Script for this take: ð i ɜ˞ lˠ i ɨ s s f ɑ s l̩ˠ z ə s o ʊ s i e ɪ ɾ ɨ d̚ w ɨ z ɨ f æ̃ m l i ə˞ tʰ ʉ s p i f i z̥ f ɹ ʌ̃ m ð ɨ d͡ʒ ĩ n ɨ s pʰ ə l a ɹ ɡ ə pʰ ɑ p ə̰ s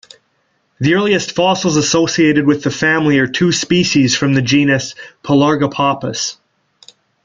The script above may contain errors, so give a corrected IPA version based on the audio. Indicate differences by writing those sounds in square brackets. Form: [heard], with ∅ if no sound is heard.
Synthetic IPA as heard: ð i ɜ˞ lˠ i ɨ s [t] f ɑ s l̩ˠ z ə s o ʊ s i e ɪ ɾ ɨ d̚ w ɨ [ð] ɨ f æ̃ m l i ə˞ tʰ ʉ s p i [ʃ] i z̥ f ɹ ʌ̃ m ð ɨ d͡ʒ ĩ n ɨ s pʰ ə l [ɑ] ɹ ɡ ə pʰ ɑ p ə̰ s